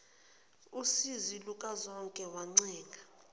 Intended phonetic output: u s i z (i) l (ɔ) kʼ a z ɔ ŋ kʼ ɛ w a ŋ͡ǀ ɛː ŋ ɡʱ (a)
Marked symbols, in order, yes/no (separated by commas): yes, no, yes